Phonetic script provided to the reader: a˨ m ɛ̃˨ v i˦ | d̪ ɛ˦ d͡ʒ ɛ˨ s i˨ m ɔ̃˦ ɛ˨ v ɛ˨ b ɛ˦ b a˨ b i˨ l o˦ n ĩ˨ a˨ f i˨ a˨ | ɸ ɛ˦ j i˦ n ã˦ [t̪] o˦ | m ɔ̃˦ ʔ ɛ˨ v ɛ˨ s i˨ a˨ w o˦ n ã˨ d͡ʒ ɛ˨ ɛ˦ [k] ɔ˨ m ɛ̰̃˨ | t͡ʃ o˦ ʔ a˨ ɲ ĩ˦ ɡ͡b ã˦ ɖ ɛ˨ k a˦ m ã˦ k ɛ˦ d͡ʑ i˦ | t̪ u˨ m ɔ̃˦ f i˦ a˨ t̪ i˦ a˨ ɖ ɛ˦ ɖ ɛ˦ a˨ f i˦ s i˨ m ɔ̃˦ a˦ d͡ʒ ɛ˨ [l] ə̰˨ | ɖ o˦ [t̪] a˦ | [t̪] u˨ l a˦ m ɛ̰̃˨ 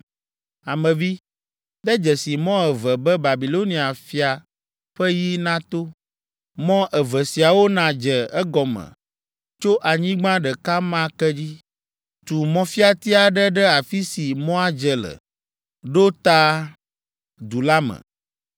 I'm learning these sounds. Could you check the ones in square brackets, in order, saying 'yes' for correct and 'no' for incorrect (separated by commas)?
yes, no, yes, yes, no